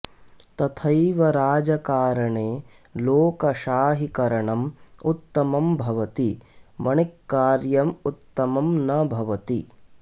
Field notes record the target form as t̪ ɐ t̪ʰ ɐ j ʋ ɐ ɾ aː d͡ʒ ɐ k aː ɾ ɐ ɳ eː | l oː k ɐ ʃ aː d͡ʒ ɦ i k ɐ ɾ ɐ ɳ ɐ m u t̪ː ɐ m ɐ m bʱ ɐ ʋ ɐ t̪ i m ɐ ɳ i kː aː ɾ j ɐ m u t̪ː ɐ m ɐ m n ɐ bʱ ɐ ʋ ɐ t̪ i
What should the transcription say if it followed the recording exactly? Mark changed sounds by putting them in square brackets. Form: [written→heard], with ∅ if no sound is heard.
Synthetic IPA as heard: t̪ ɐ t̪ʰ ɐ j ʋ ɐ ɾ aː d͡ʒ ɐ k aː ɾ ɐ ɳ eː | l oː k ɐ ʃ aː [d͡ʒ→∅] ɦ i k ɐ ɾ ɐ ɳ ɐ m u t̪ː ɐ m ɐ m bʱ ɐ ʋ ɐ t̪ i m ɐ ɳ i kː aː ɾ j ɐ m u t̪ː ɐ m ɐ m n ɐ bʱ ɐ ʋ ɐ t̪ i